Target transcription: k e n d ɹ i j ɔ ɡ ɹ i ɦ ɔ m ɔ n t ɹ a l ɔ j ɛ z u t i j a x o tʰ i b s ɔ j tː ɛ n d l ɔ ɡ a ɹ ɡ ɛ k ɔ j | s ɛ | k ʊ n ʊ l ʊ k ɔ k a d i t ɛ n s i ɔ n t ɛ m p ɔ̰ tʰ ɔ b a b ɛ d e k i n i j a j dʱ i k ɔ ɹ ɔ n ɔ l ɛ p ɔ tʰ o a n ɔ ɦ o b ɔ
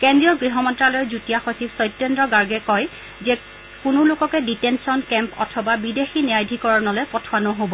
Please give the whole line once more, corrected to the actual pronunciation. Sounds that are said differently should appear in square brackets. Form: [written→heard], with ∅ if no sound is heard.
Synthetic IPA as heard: k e n d ɹ i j ɔ ɡ ɹ i ɦ ɔ m ɔ n t ɹ a l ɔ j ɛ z u t i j a x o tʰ i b s ɔ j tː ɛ n d [l→ɹ] ɔ ɡ a ɹ ɡ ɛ k ɔ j | [s→z] ɛ | k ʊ n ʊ l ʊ k ɔ k [a→ɛ] d i t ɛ n s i ɔ n [t→k] ɛ m p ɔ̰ tʰ ɔ b a b [ɛ→i] d e [k→x] i n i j a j dʱ i k ɔ ɹ ɔ n ɔ l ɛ p ɔ tʰ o a n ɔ ɦ o b ɔ